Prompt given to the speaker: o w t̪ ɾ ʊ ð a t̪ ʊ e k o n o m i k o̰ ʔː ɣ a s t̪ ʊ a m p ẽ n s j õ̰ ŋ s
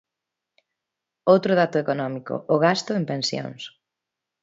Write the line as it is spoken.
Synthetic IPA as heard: o w t̪ ɾ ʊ ð a t̪ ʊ e k o n ɔ m i k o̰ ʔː ɣ a s t̪ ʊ e m p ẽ n s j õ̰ ŋ s